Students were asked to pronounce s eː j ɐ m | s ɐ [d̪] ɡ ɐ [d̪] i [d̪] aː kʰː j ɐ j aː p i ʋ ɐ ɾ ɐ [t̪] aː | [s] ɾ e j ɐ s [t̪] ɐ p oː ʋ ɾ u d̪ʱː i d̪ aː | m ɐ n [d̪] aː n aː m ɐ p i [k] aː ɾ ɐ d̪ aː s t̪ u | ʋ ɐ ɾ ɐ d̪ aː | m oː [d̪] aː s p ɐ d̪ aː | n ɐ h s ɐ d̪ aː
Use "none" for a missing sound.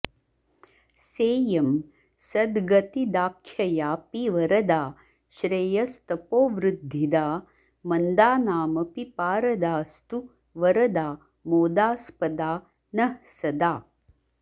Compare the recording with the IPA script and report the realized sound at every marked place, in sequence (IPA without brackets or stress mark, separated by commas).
d̪, t̪, d̪, d̪, ʃ, t̪, d̪, p, d̪